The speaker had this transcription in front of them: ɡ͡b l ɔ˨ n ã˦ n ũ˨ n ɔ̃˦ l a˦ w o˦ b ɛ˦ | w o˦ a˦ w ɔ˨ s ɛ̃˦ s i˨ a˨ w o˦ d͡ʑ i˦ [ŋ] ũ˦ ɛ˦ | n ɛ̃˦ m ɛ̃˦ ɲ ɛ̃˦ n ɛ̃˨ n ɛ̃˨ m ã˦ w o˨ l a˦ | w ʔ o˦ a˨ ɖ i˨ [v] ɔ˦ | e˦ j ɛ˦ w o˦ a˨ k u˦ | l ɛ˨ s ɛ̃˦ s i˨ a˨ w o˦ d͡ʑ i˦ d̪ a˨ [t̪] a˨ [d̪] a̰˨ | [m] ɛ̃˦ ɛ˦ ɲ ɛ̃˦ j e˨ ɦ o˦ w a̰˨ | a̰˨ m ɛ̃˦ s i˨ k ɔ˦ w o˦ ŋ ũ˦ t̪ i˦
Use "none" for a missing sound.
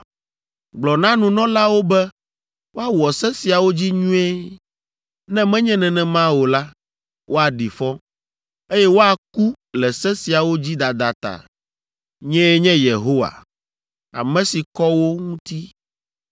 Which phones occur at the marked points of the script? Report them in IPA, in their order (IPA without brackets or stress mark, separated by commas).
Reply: ɲ, f, d̪, t̪, ɲ